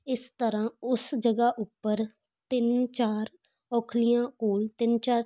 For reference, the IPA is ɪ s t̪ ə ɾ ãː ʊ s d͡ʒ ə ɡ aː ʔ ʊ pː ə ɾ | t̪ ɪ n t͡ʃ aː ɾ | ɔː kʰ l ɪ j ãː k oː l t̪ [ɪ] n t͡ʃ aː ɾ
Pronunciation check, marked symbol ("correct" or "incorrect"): correct